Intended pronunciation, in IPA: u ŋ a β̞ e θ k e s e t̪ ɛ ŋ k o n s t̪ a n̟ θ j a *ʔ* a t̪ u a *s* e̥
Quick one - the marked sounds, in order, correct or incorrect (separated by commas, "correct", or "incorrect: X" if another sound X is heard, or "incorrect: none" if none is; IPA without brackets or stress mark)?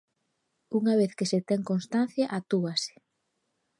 correct, correct